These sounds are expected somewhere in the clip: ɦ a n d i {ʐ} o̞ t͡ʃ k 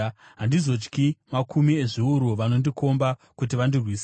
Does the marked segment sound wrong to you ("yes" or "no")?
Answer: yes